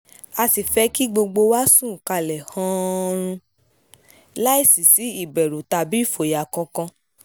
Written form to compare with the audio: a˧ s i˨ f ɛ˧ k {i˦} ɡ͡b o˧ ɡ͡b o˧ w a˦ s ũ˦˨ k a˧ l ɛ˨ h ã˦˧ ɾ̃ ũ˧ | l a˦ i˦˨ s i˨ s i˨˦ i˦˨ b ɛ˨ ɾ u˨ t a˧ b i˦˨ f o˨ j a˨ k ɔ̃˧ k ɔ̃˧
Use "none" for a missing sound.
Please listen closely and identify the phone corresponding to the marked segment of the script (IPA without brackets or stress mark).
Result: i˦